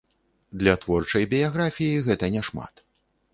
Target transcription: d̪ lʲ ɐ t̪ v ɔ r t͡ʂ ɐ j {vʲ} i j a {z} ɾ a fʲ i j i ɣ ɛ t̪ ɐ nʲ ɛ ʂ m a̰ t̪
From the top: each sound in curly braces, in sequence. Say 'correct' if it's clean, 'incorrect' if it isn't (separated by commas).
incorrect, incorrect